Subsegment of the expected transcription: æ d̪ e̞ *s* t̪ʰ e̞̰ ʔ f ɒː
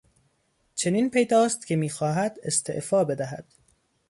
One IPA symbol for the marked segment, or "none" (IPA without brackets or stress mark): s